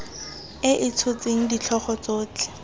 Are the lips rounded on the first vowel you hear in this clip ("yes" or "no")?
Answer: no